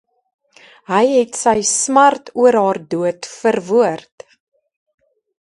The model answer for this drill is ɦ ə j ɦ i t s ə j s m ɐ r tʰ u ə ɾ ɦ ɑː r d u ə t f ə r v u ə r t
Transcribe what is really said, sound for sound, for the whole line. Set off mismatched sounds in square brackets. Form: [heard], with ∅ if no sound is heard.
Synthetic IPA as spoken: ɦ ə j ɦ [ɛ] t s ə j s m ɐ r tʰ u ə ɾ ɦ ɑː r d u ə t f ə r v u ə r t